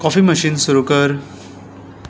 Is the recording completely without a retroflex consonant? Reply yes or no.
yes